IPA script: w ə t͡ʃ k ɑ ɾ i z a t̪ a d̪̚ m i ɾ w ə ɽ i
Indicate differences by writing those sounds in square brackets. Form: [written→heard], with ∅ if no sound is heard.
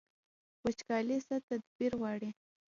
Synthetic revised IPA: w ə t͡ʃ k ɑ [ɾ→l] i [z→s] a t̪ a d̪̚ [m→b] i ɾ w [ə→ɑ] ɽ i